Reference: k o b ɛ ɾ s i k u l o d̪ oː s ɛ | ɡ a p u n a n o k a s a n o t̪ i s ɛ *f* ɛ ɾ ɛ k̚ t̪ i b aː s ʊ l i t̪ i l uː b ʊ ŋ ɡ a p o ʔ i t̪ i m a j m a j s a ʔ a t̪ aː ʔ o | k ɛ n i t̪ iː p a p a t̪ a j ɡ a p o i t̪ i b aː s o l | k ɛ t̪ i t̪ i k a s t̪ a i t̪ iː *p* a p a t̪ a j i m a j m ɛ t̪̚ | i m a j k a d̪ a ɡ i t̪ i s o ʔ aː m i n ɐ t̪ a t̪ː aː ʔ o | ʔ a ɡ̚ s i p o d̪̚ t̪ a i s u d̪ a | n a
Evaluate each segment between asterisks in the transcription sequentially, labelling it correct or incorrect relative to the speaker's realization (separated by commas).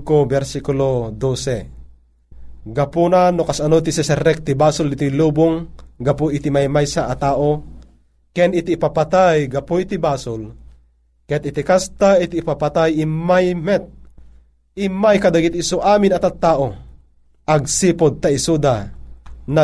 incorrect, correct